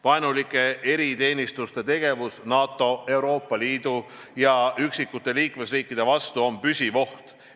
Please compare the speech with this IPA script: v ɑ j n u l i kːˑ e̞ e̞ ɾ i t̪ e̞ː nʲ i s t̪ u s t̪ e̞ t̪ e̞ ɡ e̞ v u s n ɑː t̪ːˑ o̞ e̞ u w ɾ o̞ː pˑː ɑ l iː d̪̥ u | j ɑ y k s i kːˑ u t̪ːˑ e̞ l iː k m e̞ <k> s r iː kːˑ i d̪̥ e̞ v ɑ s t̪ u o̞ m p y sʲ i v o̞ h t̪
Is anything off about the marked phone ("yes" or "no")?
yes